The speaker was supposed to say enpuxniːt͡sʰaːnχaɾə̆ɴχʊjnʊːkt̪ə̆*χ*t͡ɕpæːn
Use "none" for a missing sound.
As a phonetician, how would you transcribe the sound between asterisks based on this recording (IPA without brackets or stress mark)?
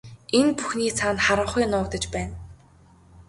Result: none